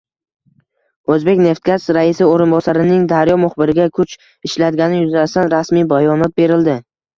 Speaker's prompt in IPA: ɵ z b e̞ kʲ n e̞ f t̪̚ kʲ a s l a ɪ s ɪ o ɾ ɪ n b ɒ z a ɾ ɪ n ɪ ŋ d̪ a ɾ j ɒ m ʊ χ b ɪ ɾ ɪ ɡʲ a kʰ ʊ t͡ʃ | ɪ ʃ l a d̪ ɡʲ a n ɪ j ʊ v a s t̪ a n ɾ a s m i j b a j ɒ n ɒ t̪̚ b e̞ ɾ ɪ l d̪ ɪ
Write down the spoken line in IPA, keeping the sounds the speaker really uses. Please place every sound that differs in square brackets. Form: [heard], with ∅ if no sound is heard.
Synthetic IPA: ɵ z b e̞ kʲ n e̞ f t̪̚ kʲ a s [ɾ] a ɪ s ɪ o ɾ ɪ n b ɒ [s] a ɾ ɪ n ɪ ŋ d̪ a ɾ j ɒ m ʊ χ b ɪ ɾ ɪ ɡʲ a kʰ ʊ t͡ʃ | ɪ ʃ l a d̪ ɡʲ a n ɪ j ʊ [z] a s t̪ a n ɾ a s m i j b a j ɒ n ɒ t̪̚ b e̞ ɾ ɪ l d̪ ɪ